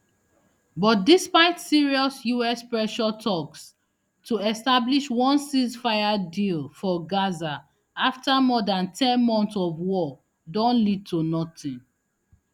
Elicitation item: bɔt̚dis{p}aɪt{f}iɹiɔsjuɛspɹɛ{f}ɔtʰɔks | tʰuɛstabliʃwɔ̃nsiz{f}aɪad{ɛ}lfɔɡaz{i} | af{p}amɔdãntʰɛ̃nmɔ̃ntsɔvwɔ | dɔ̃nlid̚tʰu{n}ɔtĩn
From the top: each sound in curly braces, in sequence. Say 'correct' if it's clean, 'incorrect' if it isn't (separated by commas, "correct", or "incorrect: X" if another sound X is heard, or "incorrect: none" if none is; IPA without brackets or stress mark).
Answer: correct, incorrect: s, incorrect: ʃ, correct, incorrect: i, incorrect: a, incorrect: t, correct